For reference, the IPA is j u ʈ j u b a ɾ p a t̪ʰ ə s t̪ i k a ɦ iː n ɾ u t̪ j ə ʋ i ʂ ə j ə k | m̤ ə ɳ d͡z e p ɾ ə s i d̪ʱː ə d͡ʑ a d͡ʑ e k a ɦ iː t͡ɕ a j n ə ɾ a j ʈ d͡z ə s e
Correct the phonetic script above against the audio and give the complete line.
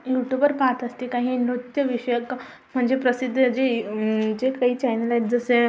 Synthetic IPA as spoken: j u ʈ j u b ə ɾ p a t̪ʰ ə s t̪ i k a ɦ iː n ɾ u t̪ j ə ʋ i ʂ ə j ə k | m̤ ə ɳ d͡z e p ɾ ə s i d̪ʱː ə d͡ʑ e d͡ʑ e k a ɦ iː t͡ɕ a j n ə l a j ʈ d͡z ə s e